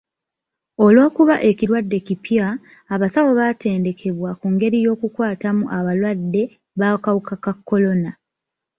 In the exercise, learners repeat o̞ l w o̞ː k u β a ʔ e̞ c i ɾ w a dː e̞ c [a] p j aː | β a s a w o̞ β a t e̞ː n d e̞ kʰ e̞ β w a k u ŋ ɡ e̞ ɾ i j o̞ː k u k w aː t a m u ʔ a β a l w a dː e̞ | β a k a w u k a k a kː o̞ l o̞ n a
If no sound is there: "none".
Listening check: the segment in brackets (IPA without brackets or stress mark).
i